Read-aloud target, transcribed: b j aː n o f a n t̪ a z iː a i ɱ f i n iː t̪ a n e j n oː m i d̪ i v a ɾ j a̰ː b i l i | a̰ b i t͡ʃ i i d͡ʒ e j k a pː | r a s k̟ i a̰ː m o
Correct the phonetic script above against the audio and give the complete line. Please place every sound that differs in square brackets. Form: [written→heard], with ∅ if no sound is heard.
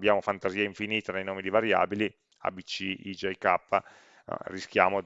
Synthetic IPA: b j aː [n→m] o f a n t̪ a z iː a i ɱ f i n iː t̪ a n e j n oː m i d̪ i v a ɾ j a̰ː b i l i | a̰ b i t͡ʃ i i d͡ʒ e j k a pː | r [a→i] s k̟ [i→j] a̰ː m o